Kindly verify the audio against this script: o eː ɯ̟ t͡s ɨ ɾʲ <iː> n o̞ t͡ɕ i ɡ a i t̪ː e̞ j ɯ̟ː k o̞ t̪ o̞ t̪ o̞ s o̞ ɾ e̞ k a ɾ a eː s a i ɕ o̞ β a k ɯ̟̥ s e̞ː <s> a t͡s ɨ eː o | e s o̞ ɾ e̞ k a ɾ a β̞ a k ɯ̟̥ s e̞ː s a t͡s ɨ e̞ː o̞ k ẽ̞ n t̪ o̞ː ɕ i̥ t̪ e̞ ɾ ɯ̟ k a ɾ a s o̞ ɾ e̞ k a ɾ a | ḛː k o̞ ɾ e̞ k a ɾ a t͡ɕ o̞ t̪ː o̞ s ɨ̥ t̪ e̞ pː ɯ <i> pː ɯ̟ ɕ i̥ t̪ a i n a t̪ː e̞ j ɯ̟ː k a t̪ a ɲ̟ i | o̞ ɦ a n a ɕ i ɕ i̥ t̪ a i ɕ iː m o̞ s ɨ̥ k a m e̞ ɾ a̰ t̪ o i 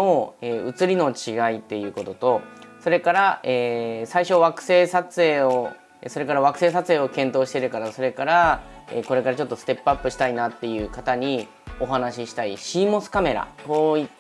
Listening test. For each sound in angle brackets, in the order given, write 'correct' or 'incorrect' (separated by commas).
incorrect, correct, incorrect